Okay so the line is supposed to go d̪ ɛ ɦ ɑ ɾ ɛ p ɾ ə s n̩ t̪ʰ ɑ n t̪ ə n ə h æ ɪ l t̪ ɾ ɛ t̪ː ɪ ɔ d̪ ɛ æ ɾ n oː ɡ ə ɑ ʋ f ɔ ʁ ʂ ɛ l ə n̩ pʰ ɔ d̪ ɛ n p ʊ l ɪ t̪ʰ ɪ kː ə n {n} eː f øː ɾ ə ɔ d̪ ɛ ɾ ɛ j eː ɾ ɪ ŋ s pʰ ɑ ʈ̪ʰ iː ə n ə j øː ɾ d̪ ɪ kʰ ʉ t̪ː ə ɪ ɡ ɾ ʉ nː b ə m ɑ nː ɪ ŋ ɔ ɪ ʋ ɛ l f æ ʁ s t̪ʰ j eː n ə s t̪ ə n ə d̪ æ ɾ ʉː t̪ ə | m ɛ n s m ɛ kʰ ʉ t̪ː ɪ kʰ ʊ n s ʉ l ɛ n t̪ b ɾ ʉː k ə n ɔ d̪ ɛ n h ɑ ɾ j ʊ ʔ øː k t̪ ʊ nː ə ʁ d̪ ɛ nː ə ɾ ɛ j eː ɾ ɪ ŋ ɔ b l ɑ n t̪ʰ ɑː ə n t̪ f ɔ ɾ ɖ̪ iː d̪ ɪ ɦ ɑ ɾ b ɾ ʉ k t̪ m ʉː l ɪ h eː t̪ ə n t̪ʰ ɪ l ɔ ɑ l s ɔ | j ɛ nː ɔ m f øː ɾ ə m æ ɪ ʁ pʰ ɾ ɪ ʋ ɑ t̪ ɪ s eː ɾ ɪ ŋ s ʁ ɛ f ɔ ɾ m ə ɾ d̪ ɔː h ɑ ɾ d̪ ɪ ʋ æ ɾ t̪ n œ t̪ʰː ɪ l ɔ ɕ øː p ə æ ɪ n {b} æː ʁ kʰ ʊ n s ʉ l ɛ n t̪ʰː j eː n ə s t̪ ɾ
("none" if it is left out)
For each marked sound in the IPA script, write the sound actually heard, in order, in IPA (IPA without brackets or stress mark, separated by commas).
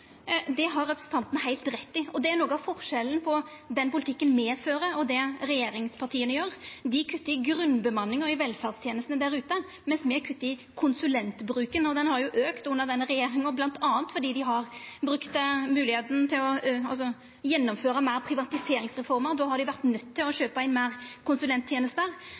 m, m